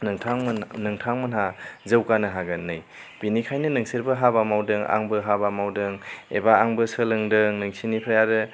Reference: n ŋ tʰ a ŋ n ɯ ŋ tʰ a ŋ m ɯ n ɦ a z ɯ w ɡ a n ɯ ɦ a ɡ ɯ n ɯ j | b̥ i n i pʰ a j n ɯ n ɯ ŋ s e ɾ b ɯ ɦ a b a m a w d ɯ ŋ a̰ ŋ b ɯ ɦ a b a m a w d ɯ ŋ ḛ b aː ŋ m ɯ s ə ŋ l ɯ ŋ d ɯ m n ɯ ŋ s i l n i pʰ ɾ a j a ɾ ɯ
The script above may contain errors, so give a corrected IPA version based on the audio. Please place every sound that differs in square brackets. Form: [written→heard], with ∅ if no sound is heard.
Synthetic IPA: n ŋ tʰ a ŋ n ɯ ŋ tʰ a ŋ m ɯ n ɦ a z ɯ w [ɡ→k] a n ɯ ɦ a ɡ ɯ n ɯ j | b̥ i n i [pʰ→kʰ] a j n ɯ n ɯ ŋ s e ɾ b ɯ ɦ a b a m a w d ɯ ŋ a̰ ŋ b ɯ ɦ a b a m a w d ɯ ŋ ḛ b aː ŋ [m→b] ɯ s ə [ŋ→∅] l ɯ ŋ d ɯ [m→ŋ] n ɯ ŋ s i [l→∅] n i pʰ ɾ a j a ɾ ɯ